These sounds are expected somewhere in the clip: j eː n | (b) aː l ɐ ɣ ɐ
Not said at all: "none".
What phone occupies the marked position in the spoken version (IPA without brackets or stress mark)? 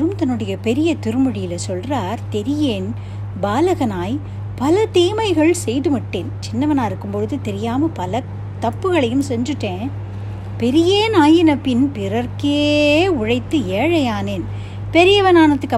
b